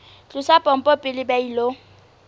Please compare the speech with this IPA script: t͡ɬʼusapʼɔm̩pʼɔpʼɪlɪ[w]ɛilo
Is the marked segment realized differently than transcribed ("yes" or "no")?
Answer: yes